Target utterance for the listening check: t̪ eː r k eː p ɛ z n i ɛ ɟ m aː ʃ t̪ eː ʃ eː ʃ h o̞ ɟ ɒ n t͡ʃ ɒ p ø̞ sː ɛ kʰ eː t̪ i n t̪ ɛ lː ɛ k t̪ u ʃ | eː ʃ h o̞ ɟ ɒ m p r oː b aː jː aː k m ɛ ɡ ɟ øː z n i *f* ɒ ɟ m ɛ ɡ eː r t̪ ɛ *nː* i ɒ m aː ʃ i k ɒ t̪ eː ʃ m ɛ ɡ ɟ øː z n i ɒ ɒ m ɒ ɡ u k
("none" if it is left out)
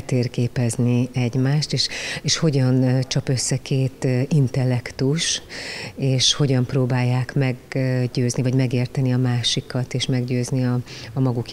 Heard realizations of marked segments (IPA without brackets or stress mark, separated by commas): v, n